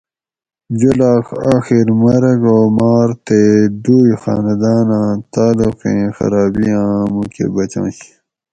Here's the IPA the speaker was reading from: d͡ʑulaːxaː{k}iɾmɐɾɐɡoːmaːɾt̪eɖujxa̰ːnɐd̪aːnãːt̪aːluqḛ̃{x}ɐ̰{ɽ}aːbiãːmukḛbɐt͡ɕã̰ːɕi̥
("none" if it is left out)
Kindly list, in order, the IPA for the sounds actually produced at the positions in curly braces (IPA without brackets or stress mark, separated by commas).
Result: x, x, ɾ